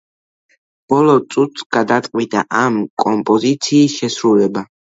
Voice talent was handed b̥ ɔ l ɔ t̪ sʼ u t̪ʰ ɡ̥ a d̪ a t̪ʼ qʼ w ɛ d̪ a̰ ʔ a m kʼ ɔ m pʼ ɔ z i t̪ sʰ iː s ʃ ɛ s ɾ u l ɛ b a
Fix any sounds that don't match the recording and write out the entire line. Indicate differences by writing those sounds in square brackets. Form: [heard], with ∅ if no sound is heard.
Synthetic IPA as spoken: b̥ ɔ l ɔ t̪ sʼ u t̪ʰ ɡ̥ a d̪ a t̪ʼ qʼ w [i] d̪ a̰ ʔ a m kʼ ɔ m pʼ ɔ z i t̪ sʰ iː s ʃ ɛ s ɾ u l ɛ b a